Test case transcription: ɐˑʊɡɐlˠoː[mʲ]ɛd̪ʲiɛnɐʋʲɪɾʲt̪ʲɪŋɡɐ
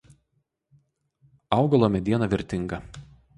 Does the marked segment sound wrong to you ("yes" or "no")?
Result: no